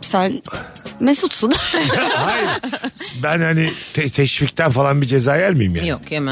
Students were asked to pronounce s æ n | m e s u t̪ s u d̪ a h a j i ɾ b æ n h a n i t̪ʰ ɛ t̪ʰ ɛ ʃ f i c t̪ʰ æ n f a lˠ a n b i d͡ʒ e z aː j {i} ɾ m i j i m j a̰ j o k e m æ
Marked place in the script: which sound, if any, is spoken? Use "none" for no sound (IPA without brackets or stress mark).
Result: æ